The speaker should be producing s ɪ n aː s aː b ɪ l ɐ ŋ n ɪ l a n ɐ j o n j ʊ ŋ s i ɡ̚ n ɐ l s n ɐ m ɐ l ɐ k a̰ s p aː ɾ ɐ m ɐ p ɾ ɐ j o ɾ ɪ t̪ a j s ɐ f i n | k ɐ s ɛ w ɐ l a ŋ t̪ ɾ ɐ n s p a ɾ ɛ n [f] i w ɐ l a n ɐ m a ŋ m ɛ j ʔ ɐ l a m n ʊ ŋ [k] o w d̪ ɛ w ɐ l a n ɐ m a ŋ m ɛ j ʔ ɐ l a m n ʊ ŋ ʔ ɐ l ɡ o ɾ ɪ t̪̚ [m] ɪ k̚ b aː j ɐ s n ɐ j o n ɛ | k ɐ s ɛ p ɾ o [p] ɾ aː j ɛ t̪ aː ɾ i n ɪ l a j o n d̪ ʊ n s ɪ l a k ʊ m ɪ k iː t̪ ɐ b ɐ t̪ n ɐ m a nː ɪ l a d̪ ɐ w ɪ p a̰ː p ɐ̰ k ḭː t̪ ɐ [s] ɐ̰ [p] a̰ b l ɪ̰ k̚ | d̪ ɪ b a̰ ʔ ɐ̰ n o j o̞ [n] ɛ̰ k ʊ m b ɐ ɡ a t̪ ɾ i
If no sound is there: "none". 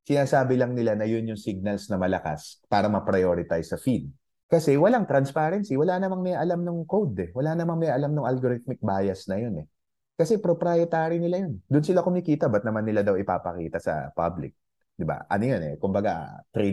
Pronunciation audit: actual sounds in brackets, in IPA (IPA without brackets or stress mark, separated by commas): s, k, m, p, s, p, n